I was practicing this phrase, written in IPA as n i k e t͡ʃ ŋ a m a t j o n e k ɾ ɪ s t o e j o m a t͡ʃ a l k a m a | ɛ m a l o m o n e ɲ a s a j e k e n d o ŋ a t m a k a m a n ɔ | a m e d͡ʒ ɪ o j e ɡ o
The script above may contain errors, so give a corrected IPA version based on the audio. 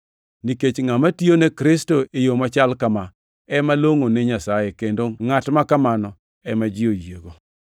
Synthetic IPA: n i k e t͡ʃ ŋ a m a t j o n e k ɾ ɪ s t o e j o m a t͡ʃ a l k a m a | ɛ m a l o ŋ o n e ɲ a s a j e k e n d o ŋ a t m a k a m a n ɔ | ɛ m a d͡ʒ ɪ o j e ɡ o